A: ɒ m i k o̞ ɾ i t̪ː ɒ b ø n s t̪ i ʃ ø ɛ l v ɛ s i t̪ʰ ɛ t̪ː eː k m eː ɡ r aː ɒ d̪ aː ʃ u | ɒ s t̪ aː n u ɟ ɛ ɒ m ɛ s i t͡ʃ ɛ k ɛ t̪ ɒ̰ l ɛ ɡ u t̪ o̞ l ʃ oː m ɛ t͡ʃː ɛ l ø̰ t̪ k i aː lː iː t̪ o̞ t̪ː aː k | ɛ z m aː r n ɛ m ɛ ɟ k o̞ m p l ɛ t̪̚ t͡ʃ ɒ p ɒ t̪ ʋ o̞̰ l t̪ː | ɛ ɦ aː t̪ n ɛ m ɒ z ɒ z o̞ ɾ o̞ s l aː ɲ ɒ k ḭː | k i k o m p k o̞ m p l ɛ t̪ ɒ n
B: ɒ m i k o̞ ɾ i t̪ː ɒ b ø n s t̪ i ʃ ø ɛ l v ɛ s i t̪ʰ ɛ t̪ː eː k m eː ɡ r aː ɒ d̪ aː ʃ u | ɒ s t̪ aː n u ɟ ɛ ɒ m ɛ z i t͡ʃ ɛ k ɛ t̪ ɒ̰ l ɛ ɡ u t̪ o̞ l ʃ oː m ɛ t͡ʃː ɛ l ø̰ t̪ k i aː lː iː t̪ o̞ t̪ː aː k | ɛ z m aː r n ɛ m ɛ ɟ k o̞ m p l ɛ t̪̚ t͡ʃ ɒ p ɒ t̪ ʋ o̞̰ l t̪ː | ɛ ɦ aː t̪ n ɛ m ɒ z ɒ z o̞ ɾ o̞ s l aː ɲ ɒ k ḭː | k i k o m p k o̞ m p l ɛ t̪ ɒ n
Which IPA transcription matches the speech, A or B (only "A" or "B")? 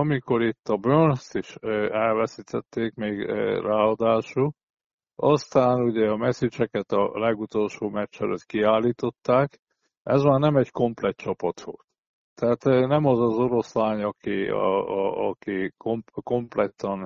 A